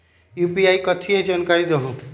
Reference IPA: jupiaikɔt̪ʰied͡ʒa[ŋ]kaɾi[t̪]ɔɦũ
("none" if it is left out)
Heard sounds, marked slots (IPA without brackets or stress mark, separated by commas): n, d̪